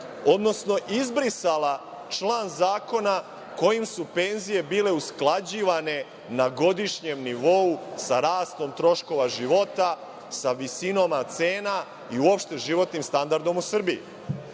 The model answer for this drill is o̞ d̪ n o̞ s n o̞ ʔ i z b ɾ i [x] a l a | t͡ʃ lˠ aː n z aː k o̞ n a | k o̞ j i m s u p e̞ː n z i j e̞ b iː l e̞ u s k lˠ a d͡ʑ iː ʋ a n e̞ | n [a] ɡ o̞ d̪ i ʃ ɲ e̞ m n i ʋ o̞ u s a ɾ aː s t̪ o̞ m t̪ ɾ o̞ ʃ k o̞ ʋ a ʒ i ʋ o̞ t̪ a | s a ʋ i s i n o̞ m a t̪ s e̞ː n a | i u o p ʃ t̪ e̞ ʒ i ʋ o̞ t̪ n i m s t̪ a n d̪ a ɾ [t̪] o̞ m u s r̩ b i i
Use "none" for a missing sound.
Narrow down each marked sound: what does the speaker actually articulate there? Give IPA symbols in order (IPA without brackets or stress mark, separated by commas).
s, a, d̪